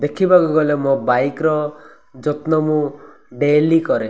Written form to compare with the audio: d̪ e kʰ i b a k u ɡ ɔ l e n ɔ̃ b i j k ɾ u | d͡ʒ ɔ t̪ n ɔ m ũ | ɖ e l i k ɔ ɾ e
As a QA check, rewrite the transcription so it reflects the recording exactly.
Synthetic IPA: d̪ e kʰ i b a k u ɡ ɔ l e m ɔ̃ b a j k ɾ ɔ | d͡ʒ ɔ t̪ n ɔ m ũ | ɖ e l i k ɔ ɾ e